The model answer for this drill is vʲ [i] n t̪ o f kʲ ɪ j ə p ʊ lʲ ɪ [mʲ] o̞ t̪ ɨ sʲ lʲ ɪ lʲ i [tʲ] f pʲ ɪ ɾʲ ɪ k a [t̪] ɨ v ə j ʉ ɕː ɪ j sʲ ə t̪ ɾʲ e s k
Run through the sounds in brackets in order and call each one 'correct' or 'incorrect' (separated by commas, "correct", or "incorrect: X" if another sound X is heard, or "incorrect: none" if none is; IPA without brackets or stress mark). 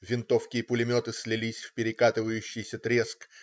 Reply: incorrect: ɪ, correct, incorrect: sʲ, correct